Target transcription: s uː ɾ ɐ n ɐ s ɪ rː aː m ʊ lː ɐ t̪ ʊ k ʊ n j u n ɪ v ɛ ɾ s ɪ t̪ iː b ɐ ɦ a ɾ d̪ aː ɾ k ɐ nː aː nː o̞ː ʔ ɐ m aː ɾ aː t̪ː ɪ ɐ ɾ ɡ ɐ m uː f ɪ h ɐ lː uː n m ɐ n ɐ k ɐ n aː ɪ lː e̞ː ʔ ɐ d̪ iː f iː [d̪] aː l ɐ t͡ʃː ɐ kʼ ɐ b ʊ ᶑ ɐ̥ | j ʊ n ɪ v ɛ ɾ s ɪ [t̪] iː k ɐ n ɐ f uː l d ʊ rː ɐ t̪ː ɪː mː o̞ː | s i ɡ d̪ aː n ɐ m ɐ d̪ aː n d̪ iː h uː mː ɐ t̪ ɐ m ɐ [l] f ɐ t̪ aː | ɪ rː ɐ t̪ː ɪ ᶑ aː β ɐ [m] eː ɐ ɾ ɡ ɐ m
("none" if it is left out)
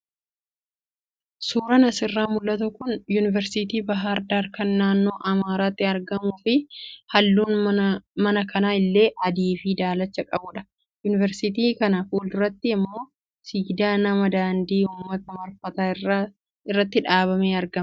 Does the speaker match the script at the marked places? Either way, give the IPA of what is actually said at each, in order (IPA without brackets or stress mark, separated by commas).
d̪, t̪, ɾ, m